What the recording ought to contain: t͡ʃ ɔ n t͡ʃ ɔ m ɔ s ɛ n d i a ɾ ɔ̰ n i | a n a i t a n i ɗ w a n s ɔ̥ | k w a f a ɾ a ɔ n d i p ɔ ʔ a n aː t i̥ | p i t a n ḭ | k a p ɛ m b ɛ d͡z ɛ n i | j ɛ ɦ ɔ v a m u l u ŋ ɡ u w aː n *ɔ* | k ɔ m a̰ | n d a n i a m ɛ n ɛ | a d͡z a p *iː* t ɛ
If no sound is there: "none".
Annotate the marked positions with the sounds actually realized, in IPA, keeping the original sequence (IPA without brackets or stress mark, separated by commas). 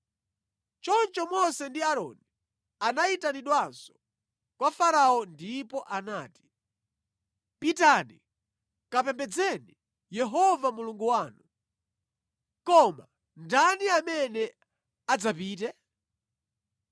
u, iː